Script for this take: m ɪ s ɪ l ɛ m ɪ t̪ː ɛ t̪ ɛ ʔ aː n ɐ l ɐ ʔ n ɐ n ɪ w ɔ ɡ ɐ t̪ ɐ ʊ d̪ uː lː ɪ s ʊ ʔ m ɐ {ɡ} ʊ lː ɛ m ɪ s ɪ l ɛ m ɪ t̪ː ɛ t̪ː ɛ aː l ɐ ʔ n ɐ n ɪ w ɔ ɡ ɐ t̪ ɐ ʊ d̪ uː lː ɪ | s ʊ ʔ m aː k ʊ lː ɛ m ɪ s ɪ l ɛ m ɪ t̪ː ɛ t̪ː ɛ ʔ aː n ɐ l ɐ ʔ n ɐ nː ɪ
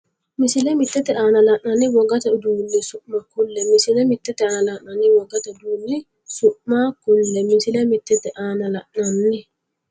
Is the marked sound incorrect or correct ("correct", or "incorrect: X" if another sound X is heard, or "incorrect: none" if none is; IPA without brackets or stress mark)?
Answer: incorrect: k